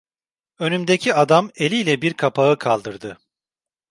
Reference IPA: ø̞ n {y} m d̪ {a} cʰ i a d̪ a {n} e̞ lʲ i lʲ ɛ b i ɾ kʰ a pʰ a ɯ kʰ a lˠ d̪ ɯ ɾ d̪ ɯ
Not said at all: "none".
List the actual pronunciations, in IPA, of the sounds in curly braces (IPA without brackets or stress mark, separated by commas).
y, e, m